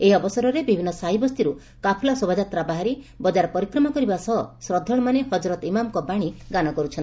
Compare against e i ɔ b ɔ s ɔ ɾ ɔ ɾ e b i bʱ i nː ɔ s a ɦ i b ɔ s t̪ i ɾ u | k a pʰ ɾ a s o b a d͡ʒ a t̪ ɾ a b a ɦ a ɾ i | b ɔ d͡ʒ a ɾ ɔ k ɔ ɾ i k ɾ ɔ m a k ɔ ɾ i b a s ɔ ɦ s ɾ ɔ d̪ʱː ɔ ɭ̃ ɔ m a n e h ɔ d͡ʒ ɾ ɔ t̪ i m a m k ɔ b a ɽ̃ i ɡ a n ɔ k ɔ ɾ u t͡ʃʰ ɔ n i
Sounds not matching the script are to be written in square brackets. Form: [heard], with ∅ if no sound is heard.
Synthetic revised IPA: e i ɔ b ɔ s ɔ ɾ ɔ ɾ e b i bʱ i nː ɔ s a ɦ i b ɔ s t̪ i ɾ u | k a pʰ [l] a s o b a d͡ʒ a t̪ ɾ a b a ɦ a ɾ i | b ɔ d͡ʒ a ɾ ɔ [p] ɔ ɾ i k ɾ ɔ m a k ɔ ɾ i b a s ɔ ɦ s ɾ ɔ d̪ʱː ɔ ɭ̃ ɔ m a n e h ɔ d͡ʒ ɾ ɔ t̪ i m a m k ɔ b a ɽ̃ i ɡ a n ɔ k ɔ ɾ u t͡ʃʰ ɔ n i